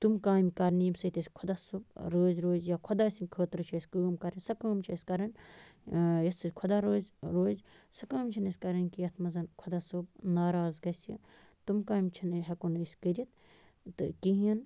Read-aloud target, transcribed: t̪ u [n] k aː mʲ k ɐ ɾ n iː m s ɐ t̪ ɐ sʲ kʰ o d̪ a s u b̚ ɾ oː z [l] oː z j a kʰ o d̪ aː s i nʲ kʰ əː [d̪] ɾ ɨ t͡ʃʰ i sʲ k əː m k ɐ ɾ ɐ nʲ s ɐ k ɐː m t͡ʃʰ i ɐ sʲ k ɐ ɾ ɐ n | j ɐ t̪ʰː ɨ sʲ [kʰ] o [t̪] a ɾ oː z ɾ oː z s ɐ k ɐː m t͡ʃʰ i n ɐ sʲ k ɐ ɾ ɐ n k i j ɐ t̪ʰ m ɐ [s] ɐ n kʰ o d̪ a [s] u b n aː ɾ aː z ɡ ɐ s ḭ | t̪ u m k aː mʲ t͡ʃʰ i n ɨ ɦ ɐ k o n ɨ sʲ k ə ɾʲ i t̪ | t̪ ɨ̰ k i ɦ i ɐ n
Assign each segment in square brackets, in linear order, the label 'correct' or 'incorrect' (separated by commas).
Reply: incorrect, incorrect, incorrect, correct, incorrect, incorrect, correct